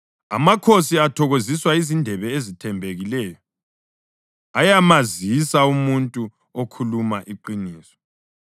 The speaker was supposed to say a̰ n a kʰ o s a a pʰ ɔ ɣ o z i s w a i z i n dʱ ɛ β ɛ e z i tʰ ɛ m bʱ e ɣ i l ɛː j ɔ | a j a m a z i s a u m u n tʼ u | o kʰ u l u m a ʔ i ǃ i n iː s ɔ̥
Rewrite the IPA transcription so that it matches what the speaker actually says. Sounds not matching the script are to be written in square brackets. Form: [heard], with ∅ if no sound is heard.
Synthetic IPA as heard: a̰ [m] a kʰ o s [i] a [tʰ] ɔ ɣ o z i s w a i z i n dʱ ɛ β ɛ e z i tʰ ɛ m bʱ e ɣ i l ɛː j ɔ | a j a m a z i s a u m u n tʼ u | o kʰ u l u m a ʔ i ǃ i n iː s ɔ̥